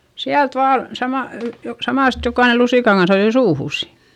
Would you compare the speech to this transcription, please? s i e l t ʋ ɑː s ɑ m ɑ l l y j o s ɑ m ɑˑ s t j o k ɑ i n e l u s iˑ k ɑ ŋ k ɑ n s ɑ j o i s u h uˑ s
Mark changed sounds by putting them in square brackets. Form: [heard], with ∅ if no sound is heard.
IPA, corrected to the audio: s i [æ] l t ʋ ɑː s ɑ m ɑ l l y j o s ɑ m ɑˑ s t j o k ɑ i n e l u s iˑ k ɑ ŋ k ɑ n s ɑ j o i s [uː] h uˑ s